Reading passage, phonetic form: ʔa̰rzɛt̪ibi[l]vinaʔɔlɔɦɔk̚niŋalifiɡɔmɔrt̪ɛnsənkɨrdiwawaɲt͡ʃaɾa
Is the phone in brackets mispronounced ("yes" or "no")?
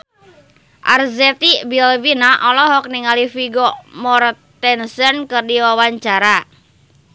no